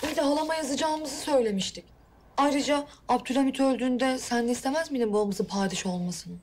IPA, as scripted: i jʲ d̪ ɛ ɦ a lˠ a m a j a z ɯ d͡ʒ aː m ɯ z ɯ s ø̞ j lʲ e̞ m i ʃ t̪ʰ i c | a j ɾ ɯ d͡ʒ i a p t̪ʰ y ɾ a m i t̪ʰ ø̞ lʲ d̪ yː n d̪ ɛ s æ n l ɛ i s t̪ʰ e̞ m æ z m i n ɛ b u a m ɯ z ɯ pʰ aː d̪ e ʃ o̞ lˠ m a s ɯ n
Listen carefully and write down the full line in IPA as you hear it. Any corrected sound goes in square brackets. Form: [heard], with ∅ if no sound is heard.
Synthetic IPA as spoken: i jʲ d̪ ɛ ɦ a lˠ a m a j a z ɯ d͡ʒ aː m ɯ z ɯ s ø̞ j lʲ e̞ m i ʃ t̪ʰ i c | a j ɾ ɯ d͡ʒ [a] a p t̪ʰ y ɾ a m i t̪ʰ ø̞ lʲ d̪ yː n d̪ ɛ s æ n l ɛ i s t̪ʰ e̞ m æ z m i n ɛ b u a m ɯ z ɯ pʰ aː d̪ [i] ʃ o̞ lˠ m a s ɯ n